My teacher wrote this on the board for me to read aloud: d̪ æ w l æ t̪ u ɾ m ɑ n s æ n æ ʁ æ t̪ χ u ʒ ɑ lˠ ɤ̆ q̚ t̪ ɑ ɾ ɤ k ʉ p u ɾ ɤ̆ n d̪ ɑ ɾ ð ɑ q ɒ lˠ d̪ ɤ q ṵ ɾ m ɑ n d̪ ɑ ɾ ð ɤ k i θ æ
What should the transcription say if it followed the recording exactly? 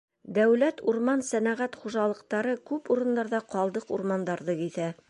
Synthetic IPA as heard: d̪ æ w l æ t̪ u ɾ m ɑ n s æ n æ ʁ æ t̪ χ u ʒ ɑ lˠ ɤ̆ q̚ t̪ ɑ ɾ ɤ k ʉ p u ɾ ɤ̆ n d̪ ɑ ɾ ð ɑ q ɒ lˠ d̪ ɤ q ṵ ɾ m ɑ n d̪ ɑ ɾ ð ɤ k i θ æ